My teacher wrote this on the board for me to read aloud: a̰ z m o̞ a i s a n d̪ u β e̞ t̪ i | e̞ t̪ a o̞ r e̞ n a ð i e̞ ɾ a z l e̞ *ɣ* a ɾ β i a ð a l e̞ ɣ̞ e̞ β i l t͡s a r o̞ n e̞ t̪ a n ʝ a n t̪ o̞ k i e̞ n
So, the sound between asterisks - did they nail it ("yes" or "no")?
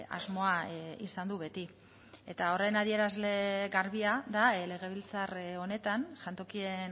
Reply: yes